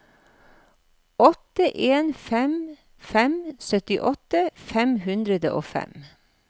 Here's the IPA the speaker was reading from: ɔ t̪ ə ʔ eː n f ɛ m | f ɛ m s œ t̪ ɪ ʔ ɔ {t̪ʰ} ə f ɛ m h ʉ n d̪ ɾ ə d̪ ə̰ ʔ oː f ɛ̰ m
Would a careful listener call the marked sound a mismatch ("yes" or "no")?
yes